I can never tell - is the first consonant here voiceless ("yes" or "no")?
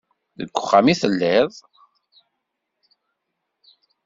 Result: no